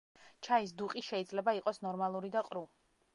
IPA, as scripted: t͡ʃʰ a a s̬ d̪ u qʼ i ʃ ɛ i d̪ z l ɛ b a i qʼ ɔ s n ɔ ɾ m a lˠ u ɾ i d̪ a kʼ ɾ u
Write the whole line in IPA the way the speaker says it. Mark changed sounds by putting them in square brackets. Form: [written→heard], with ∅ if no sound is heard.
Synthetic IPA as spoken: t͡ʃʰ a [a→i] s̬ d̪ u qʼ i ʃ ɛ i d̪ z l ɛ b a i qʼ ɔ s n ɔ ɾ m a lˠ u ɾ i d̪ a [kʼ→qʼ] ɾ u